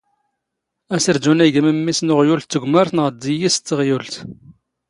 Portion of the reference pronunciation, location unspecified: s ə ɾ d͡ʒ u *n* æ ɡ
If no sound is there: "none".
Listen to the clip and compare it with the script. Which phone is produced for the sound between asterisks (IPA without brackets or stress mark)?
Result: n